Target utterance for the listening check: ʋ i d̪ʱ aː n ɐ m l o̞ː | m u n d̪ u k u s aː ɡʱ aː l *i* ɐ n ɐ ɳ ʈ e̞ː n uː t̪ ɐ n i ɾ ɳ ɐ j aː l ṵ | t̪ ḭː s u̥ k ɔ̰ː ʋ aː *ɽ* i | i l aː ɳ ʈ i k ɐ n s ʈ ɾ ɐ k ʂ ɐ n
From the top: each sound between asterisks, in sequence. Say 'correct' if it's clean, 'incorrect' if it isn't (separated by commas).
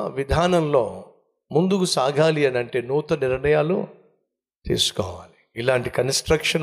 correct, incorrect